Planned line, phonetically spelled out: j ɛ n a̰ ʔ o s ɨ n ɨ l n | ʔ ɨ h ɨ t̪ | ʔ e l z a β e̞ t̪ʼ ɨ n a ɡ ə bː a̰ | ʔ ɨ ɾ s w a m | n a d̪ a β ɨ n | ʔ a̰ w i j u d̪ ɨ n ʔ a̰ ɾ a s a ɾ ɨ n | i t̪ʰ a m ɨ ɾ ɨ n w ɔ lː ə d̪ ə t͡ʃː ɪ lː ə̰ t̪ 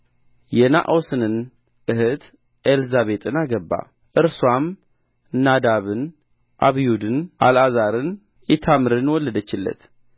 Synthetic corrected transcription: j ɛ n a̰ ʔ o s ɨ n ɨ n | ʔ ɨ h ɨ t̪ | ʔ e l z a β e̞ t̪ʼ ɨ n a ɡ ə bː a̰ | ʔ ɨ ɾ s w a m | n a d̪ a β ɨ n | ʔ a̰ β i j u d̪ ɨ n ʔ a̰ l a z a ɾ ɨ n | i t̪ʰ a m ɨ ɾ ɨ n w ɔ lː ə d̪ ə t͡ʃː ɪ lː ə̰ t̪